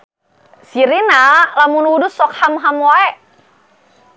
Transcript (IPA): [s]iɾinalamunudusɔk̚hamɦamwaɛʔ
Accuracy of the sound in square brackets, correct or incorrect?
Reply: correct